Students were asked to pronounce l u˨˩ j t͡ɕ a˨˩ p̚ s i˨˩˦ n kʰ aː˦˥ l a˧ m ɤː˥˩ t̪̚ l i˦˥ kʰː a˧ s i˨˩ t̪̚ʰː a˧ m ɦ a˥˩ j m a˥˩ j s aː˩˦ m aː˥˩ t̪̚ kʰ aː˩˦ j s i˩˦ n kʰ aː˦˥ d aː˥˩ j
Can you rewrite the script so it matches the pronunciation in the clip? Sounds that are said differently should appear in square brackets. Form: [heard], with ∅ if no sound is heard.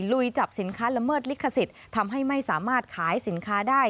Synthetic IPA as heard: l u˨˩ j t͡ɕ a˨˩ p̚ s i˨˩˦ n kʰ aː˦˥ l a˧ m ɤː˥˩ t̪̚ l i˦˥ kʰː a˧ s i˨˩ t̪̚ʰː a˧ m ɦ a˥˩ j m a˥˩ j s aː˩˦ m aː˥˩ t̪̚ kʰ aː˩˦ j s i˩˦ n kʰ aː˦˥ d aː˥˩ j